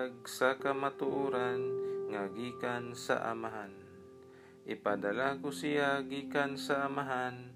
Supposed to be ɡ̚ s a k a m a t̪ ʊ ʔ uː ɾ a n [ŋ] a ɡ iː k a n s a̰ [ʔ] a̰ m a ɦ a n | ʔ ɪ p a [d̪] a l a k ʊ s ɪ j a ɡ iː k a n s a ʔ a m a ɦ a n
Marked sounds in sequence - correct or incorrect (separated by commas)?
correct, correct, correct